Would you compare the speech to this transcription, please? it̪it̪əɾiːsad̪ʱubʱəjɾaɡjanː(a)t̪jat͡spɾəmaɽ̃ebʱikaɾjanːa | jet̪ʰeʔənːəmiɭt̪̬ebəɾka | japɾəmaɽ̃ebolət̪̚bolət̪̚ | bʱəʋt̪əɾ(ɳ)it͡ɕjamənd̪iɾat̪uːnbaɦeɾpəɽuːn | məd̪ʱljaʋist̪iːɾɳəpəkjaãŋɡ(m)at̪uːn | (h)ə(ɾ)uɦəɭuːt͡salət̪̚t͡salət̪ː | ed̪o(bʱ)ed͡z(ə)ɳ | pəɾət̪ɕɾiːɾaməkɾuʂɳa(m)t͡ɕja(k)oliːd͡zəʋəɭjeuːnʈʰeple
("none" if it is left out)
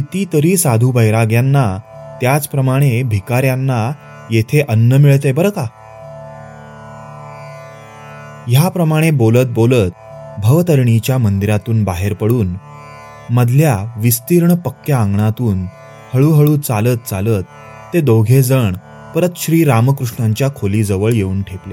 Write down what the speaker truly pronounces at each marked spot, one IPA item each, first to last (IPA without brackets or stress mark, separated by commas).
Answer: a, ɳ, ɳ, h, ɭ, ɡʱ, ə, ɲ, kʰ